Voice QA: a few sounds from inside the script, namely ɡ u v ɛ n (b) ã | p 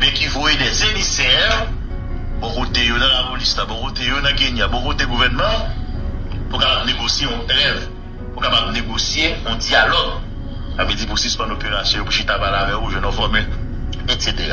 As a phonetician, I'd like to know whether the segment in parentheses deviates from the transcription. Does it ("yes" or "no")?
yes